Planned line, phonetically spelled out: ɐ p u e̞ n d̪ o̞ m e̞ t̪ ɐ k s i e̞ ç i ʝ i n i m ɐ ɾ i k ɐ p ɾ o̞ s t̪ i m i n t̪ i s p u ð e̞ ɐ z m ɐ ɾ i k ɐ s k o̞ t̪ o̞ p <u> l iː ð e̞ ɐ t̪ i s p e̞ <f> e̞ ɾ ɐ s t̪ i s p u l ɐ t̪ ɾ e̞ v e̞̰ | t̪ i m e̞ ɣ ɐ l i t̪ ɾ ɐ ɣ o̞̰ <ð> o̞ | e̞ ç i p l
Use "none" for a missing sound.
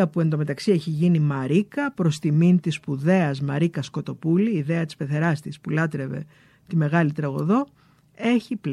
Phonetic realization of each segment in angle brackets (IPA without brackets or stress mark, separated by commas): u, θ, ð